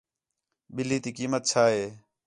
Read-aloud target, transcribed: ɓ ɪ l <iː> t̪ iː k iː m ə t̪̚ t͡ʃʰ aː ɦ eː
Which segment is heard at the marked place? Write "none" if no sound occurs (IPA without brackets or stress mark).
iː